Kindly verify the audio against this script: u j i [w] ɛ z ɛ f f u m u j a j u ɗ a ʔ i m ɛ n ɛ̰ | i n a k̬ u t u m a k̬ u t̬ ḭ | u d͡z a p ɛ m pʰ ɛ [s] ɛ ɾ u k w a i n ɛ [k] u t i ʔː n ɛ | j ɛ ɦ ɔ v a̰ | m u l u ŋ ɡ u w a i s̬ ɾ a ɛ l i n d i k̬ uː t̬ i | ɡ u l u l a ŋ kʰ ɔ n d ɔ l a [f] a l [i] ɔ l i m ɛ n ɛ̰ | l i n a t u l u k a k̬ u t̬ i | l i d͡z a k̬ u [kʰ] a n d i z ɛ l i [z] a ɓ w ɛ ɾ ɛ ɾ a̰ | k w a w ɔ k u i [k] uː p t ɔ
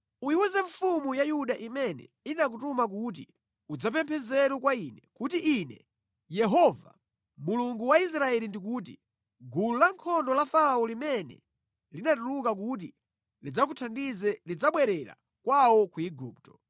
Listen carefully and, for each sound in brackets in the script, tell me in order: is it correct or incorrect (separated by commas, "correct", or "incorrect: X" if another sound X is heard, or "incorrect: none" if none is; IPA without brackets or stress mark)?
correct, incorrect: z, correct, correct, incorrect: a, incorrect: tʰ, incorrect: d͡z, incorrect: ɡ